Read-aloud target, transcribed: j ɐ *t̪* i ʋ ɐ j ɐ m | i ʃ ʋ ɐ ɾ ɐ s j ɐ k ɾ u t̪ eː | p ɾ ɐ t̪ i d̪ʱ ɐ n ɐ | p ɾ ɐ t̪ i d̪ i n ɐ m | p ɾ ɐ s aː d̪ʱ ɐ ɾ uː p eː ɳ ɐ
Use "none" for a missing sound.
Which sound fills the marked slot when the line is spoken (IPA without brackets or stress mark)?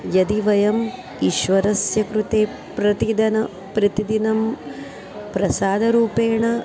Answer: d̪